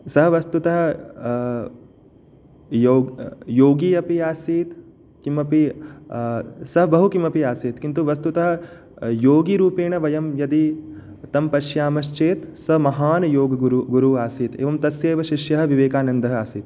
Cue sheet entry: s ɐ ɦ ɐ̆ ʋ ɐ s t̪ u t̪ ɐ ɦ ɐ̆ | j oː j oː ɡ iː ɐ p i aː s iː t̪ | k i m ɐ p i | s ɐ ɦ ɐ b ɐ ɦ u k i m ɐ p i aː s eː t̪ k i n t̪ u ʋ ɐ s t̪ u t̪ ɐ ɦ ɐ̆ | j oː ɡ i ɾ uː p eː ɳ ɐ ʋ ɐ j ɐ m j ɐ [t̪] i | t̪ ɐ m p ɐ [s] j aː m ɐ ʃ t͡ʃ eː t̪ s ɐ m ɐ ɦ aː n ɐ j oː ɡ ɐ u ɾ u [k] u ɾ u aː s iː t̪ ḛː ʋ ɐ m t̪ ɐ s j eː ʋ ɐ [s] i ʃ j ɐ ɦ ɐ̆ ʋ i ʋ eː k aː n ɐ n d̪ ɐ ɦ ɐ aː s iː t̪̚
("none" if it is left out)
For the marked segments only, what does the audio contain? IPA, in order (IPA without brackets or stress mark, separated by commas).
d̪, ʃ, ɡ, ʃ